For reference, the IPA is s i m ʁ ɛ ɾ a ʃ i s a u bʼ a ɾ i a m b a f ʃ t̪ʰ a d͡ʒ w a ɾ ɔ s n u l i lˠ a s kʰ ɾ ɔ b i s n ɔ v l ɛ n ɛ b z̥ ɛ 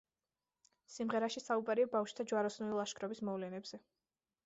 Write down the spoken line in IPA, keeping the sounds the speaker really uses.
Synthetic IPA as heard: s i m ʁ ɛ ɾ a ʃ i s a u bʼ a ɾ i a b a f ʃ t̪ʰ a d͡ʒ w a ɾ ɔ s n u l i lˠ a ʃ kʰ ɾ ɔ b i s m ɔ v l ɛ n ɛ b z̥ ɛ